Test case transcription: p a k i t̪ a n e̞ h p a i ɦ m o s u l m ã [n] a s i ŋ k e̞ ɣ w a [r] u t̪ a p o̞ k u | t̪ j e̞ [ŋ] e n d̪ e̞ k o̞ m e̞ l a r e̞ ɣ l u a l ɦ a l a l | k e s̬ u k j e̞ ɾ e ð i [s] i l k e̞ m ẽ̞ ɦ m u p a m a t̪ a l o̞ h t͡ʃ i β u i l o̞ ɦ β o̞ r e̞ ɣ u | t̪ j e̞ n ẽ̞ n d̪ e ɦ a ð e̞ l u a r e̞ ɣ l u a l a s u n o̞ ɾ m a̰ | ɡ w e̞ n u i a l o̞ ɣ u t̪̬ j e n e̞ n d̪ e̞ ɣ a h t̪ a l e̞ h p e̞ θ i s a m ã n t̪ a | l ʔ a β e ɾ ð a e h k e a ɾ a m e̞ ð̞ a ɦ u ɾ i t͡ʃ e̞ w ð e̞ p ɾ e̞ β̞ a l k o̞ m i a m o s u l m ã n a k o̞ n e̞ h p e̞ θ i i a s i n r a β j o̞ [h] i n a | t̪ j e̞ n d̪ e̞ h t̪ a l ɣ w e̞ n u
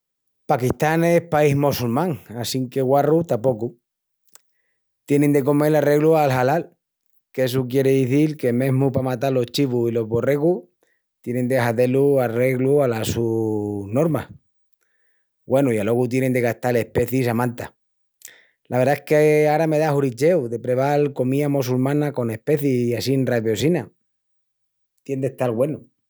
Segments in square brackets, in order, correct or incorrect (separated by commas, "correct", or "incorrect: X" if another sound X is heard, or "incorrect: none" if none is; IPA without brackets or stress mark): incorrect: ŋ, correct, incorrect: n, incorrect: θ, incorrect: s